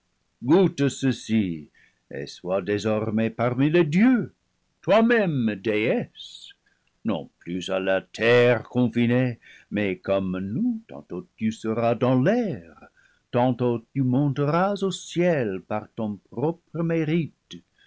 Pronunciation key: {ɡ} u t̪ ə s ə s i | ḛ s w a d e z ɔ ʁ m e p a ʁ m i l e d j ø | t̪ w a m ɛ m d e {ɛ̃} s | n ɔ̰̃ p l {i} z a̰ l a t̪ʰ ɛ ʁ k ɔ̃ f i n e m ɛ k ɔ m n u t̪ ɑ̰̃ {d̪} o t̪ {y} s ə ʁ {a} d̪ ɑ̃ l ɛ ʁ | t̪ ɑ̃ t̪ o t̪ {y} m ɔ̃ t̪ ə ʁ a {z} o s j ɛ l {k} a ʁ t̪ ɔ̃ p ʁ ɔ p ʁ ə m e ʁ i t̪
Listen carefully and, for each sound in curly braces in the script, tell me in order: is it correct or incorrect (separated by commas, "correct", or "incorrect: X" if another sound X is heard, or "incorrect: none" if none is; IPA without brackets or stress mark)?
correct, incorrect: ɛ, incorrect: y, incorrect: t̪, correct, correct, correct, correct, incorrect: p